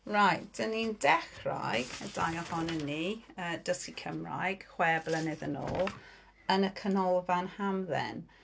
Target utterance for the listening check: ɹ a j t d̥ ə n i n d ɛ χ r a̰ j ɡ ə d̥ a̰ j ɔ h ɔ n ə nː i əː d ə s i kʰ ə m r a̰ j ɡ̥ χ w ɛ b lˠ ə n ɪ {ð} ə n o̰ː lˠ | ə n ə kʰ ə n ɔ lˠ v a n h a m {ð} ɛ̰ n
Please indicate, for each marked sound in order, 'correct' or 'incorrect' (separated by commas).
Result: correct, correct